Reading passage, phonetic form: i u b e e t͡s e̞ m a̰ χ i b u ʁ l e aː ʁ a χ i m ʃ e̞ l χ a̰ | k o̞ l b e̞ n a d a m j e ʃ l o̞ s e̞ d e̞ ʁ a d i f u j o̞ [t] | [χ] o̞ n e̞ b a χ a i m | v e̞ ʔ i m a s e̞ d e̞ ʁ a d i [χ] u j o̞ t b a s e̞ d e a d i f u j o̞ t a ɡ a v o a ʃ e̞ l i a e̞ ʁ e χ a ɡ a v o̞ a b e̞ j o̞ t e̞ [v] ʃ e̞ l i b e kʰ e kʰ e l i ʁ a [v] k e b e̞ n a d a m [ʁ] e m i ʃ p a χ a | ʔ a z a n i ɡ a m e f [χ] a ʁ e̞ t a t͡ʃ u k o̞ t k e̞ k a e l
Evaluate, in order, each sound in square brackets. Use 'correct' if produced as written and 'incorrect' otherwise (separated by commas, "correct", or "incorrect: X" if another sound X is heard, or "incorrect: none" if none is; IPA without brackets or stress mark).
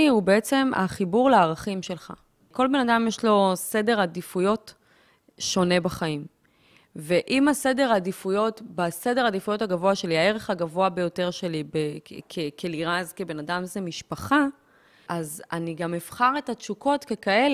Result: correct, incorrect: ʃ, incorrect: f, incorrect: ʁ, incorrect: z, incorrect: z, correct